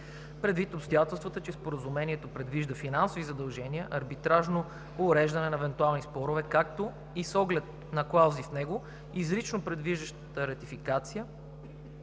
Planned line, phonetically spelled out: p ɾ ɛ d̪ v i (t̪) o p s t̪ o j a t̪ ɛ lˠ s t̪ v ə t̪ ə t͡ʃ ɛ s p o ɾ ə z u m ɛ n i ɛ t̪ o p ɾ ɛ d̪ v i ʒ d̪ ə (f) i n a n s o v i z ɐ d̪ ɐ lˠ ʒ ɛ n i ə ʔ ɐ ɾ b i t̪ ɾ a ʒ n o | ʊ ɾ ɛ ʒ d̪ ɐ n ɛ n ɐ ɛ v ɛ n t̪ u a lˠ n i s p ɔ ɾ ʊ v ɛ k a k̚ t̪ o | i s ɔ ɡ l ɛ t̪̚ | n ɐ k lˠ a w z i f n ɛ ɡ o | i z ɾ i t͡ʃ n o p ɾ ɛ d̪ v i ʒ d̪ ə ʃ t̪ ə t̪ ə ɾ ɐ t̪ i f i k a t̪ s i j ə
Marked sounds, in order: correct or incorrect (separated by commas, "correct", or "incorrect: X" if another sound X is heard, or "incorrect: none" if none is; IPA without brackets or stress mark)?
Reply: correct, correct